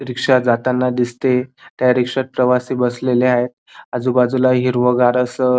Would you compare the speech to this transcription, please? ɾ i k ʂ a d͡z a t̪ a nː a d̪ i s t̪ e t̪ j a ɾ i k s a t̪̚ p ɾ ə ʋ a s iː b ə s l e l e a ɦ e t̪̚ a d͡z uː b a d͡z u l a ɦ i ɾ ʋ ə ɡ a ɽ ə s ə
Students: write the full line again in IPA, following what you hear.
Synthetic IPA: ɾ i k ʂ a d͡z a t̪ a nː a d̪ i s t̪ e t̪ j a ɾ i k ʂ a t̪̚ p ɾ ə ʋ a s iː b ə s l e l e a ɦ e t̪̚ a d͡z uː b a d͡z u l a ɦ i ɾ ʋ ə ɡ a ɾ ə s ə